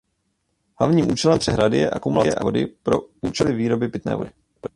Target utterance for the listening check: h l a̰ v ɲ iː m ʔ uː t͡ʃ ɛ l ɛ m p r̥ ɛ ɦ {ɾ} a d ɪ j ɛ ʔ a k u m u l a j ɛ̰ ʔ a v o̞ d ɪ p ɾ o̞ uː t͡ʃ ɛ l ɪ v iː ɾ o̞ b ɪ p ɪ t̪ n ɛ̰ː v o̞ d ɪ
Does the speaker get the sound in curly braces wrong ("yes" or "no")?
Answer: no